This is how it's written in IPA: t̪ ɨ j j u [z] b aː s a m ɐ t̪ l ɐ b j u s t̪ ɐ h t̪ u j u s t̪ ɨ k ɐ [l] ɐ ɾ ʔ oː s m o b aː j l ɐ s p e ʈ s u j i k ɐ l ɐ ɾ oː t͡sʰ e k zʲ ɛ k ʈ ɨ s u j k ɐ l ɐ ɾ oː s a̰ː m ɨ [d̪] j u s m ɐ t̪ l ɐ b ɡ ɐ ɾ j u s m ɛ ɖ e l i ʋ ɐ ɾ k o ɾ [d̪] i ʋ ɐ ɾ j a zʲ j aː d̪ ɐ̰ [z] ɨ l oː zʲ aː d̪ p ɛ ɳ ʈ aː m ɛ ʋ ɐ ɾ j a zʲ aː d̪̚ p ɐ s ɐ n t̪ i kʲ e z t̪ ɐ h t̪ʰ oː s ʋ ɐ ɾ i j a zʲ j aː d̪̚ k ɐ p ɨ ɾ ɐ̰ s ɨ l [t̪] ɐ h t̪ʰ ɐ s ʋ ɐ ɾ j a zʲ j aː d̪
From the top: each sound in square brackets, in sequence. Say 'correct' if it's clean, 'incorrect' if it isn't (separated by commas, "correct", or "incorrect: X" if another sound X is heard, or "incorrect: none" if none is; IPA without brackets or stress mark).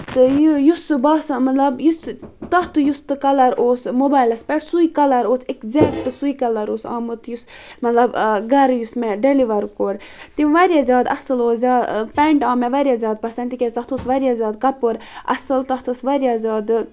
incorrect: s, correct, incorrect: t̪, incorrect: t̪, incorrect: s, correct